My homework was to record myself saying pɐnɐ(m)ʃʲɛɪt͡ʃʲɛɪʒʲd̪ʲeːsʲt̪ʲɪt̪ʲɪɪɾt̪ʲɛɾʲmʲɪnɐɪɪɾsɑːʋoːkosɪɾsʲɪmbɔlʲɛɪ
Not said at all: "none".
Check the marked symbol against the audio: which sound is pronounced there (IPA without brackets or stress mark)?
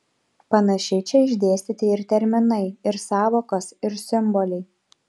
none